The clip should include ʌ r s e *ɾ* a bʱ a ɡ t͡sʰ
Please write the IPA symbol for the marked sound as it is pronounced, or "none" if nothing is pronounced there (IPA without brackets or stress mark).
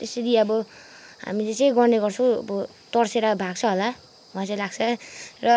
ɾ